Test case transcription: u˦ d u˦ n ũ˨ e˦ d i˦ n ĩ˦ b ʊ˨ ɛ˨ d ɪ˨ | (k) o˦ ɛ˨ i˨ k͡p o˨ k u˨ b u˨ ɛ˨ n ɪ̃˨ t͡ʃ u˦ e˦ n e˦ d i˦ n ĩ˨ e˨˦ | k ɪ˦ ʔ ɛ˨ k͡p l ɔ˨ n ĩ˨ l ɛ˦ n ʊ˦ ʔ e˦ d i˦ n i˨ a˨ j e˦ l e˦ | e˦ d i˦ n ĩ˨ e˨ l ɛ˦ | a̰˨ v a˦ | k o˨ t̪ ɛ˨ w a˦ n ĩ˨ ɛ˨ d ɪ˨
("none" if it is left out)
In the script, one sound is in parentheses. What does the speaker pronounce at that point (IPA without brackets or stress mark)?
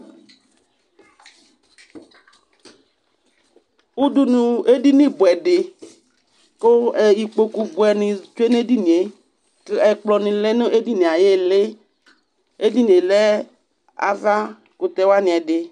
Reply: k